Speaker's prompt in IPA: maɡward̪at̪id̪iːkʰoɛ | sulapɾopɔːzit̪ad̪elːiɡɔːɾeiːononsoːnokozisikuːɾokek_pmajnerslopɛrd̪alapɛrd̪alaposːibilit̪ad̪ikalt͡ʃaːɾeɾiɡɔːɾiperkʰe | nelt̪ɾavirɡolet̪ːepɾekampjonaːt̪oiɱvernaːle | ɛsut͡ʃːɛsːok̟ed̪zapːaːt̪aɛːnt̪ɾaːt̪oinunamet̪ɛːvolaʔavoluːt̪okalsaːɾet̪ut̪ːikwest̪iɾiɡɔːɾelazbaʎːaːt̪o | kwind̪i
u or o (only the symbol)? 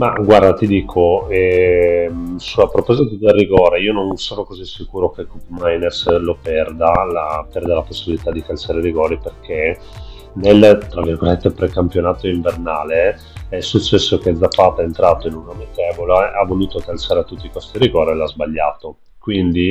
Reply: u